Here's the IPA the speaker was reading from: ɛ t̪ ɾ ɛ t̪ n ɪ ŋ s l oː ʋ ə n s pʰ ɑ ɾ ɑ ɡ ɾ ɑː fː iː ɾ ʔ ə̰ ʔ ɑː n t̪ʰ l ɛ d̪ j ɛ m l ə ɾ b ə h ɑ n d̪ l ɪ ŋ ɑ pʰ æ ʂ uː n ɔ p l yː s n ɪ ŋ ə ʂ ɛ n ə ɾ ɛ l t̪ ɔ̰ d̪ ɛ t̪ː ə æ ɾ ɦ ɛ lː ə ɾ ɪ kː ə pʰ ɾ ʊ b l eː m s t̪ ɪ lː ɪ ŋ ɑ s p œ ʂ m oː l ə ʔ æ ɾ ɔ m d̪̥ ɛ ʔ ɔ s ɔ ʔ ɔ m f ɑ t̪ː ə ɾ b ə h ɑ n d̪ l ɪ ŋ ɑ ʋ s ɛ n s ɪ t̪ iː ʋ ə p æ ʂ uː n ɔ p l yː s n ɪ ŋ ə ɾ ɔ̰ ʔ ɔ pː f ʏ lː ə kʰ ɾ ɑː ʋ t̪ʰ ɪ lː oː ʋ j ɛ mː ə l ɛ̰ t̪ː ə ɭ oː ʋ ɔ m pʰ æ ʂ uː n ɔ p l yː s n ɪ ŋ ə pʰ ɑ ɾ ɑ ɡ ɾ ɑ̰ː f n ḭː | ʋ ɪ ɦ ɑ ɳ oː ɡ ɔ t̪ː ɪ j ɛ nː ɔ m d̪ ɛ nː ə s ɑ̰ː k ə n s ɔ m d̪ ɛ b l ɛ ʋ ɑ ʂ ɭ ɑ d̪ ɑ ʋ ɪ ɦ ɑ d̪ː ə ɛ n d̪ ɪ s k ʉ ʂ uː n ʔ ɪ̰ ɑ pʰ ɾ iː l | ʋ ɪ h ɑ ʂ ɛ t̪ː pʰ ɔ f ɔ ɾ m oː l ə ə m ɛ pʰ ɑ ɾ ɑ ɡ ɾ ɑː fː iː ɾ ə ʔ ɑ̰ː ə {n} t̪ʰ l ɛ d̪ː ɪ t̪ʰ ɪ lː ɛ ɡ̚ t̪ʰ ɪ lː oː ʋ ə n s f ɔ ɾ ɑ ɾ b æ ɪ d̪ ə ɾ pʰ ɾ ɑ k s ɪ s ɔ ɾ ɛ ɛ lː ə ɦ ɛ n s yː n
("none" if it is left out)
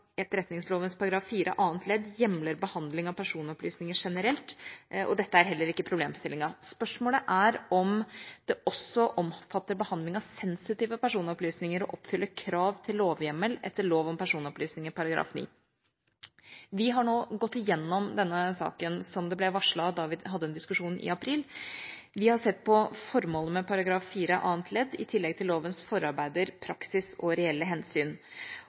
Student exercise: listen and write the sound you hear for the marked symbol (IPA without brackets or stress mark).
n